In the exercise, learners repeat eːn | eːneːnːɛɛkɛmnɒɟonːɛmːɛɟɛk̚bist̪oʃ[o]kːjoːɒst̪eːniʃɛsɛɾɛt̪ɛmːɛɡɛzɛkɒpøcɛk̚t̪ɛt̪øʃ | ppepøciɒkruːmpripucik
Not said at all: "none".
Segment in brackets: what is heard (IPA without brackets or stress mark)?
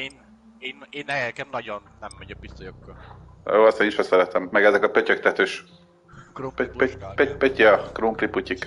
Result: o